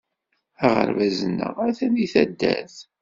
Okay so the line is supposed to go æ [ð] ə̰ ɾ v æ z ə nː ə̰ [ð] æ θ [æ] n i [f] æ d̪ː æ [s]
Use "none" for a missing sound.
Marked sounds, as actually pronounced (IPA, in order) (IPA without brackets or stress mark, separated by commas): ʁ, ʁ, æ, θ, θ